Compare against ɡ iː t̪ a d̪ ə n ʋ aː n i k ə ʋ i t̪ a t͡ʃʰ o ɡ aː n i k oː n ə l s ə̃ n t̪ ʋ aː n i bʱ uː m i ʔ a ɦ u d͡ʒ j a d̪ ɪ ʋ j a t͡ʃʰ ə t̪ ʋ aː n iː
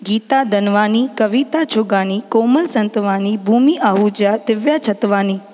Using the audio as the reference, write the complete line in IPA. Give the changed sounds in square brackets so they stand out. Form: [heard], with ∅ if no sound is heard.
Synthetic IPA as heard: ɡ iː t̪ a d̪ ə n ʋ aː n i k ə ʋ i t̪ a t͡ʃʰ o ɡ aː n i k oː [m] ə l s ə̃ n t̪ ʋ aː n i bʱ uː m i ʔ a ɦ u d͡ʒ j a d̪ ɪ ʋ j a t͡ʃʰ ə t̪ ʋ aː n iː